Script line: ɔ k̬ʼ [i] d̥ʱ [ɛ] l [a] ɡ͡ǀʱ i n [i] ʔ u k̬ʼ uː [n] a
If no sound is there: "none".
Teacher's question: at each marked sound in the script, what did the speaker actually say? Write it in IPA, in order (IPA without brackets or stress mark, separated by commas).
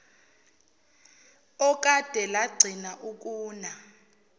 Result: a, ɛ, a, a, n